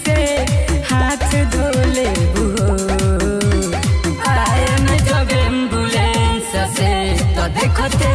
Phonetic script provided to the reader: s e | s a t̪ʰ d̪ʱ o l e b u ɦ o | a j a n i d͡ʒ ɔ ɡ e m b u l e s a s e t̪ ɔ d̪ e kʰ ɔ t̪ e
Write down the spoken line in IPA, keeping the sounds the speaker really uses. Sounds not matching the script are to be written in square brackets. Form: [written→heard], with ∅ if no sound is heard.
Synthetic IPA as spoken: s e | [s→h] a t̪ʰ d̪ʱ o l e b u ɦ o | a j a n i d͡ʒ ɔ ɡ e m b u l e s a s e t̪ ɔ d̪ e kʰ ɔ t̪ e